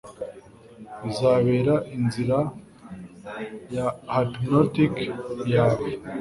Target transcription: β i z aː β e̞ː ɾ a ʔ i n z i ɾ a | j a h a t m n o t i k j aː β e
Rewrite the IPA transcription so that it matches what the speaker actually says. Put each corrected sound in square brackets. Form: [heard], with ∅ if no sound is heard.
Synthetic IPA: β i z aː β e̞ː ɾ a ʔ i n z i ɾ a | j a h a t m n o t i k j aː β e